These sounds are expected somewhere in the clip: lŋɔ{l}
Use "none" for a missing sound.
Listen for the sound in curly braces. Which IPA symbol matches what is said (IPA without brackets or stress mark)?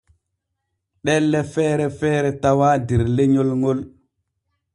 l